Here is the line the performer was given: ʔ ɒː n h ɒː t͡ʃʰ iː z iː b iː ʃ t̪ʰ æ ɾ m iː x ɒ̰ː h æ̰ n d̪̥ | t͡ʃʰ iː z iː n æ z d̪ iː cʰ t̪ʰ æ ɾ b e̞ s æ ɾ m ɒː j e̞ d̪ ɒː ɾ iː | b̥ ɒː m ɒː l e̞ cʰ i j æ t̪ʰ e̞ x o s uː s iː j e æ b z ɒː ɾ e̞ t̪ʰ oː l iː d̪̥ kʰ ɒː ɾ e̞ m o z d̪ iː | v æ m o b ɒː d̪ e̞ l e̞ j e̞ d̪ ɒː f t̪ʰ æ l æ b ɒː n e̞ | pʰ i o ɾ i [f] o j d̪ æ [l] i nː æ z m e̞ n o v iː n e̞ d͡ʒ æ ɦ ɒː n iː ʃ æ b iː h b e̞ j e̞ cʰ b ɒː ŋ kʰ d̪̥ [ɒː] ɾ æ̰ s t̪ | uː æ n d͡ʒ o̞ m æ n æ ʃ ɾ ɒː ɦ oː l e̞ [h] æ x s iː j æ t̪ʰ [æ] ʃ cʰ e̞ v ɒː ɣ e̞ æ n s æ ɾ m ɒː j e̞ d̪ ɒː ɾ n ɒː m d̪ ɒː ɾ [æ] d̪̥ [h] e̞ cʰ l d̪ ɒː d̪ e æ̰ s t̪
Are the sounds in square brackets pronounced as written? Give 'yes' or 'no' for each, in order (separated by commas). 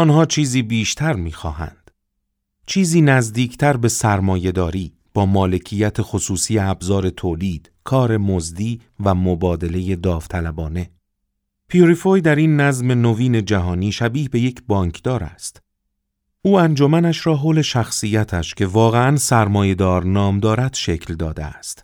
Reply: yes, no, yes, no, yes, yes, no